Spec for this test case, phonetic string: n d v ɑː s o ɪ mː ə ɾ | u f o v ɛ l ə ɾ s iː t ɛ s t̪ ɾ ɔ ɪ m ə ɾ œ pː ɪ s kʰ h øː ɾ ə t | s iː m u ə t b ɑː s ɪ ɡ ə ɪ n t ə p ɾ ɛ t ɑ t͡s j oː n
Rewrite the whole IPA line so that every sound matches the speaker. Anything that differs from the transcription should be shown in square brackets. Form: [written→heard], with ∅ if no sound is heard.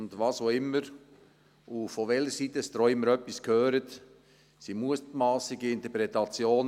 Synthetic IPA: n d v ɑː s o ɪ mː ə ɾ | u f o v ɛ l ə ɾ s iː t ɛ s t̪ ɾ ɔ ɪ m ə ɾ œ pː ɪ s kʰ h øː ɾ ə t | s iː m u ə t [b→m] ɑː s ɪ ɡ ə ɪ n t ə p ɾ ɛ t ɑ t͡s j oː n